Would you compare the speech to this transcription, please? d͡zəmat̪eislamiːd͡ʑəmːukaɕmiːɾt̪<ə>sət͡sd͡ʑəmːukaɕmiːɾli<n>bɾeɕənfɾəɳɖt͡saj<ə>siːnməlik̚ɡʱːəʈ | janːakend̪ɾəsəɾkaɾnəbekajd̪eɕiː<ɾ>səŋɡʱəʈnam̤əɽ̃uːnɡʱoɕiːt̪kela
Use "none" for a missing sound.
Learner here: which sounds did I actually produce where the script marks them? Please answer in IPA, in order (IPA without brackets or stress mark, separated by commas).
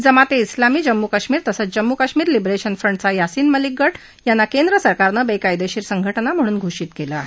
ə, none, a, ɾ